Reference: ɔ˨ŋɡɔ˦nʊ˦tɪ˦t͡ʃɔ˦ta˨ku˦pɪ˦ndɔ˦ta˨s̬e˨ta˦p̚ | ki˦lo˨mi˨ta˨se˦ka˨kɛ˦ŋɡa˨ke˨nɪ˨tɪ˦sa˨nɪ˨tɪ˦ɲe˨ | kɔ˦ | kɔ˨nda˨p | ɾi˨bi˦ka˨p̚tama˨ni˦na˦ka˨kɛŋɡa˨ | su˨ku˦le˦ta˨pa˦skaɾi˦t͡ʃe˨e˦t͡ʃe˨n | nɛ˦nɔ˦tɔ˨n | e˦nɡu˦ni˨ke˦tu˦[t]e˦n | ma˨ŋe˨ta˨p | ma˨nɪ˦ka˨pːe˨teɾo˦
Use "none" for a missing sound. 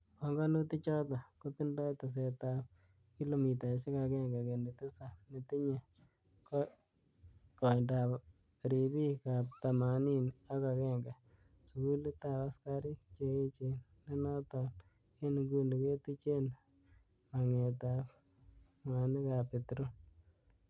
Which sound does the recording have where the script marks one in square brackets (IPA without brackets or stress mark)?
t͡ʃ